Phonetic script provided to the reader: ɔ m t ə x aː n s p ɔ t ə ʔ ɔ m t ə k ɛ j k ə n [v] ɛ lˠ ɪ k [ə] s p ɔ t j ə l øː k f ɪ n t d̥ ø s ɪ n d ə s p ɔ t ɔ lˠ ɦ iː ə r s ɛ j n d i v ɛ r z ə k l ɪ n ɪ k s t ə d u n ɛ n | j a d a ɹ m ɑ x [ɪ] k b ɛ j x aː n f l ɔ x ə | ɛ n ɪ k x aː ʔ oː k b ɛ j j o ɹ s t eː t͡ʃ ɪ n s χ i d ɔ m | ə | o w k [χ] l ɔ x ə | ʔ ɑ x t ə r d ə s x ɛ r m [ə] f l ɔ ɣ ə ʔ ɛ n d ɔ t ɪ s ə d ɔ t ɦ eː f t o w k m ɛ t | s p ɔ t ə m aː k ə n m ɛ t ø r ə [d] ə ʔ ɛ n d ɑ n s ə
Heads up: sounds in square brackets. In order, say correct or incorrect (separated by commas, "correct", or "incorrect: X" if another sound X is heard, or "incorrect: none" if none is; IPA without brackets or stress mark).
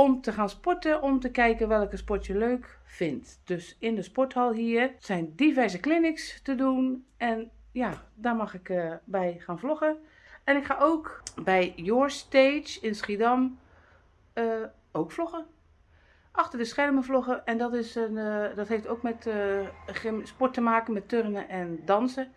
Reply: incorrect: ʋ, correct, correct, incorrect: f, correct, incorrect: n